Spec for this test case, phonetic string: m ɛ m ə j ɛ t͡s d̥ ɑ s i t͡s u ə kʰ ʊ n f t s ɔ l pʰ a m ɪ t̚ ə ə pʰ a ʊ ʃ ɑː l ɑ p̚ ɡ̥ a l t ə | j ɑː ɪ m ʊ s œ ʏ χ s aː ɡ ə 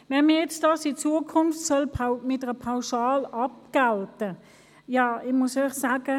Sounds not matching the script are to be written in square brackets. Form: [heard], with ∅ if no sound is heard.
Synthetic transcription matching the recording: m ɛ m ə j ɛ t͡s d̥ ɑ s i t͡s u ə kʰ ʊ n f t s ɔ l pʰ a m ɪ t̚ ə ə pʰ a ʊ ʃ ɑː l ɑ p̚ ɡ̥ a l t ə | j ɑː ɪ m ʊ s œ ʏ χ s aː ɡ ə